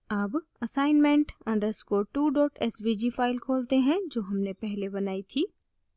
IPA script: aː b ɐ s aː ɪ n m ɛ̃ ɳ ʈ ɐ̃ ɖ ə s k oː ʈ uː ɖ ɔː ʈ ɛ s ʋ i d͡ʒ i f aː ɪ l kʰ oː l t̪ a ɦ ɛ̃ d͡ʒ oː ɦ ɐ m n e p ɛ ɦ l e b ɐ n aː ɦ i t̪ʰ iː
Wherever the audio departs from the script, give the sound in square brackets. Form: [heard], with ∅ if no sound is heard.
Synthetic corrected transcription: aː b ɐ s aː ɪ n m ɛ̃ ɳ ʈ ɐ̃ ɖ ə s k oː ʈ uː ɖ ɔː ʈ ɛ s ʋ i d͡ʒ i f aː ɪ l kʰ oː l t̪ [e] ɦ ɛ̃ d͡ʒ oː ɦ ɐ m n e p ɛ ɦ l e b ɐ n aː [∅] i t̪ʰ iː